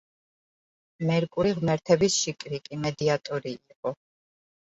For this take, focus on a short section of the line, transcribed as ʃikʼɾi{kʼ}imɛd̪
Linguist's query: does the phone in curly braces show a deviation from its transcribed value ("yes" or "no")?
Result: no